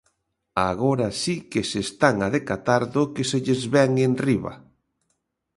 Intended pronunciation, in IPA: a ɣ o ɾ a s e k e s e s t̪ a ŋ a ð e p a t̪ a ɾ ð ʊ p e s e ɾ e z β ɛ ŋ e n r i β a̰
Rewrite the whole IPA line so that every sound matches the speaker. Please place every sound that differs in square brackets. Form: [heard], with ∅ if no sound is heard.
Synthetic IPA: a ɣ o ɾ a s [i] k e s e s t̪ a ŋ a ð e [k] a t̪ a ɾ ð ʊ [k] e s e [ʎ] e z β ɛ ŋ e n r i β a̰